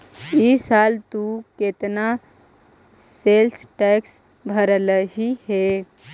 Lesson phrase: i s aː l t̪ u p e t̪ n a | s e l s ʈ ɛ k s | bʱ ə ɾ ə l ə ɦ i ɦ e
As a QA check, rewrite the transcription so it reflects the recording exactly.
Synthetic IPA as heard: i s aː l t̪ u k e t̪ n a | s e l s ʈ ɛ k s | bʱ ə ɾ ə l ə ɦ i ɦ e